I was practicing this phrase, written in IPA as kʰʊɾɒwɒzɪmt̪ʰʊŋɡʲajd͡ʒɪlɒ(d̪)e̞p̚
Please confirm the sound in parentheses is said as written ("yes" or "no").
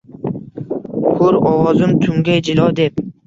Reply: yes